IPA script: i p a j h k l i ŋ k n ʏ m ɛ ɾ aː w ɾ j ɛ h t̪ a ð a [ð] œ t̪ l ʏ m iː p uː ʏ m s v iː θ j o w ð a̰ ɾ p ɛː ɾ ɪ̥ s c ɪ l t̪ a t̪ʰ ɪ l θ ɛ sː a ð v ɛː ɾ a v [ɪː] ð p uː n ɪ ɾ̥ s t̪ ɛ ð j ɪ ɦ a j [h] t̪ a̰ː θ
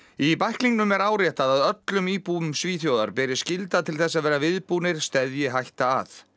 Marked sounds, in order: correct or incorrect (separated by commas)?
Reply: correct, incorrect, correct